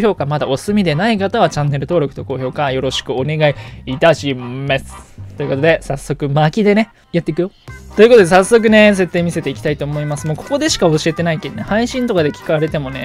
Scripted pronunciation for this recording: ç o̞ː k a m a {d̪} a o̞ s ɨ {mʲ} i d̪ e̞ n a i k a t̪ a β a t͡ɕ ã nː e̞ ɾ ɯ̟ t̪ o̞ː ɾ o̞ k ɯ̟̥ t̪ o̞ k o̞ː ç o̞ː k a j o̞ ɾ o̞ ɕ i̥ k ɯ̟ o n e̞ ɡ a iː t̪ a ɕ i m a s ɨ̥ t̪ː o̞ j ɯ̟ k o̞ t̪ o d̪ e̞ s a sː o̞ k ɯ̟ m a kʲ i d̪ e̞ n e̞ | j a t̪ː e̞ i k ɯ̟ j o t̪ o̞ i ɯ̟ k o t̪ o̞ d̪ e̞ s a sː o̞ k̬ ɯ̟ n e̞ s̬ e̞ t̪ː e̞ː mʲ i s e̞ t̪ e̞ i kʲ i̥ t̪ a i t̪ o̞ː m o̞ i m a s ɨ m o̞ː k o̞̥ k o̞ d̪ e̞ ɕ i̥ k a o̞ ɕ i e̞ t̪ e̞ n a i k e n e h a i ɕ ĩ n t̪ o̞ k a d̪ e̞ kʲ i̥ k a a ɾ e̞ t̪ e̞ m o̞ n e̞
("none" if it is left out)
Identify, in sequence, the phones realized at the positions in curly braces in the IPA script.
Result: d̪, mʲ

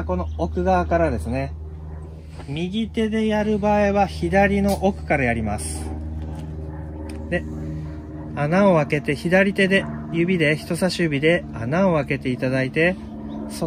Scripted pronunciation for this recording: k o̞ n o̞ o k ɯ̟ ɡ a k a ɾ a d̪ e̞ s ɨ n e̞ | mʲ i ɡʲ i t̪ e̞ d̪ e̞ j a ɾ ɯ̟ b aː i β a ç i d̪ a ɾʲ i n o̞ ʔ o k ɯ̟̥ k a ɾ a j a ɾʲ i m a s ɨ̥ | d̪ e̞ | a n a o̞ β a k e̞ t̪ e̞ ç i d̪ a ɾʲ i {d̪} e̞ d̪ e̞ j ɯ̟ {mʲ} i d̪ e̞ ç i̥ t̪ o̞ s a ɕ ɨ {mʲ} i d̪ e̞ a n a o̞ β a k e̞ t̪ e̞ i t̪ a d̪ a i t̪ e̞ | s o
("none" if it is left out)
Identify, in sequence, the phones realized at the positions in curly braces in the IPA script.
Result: t̪, bʲ, bʲ

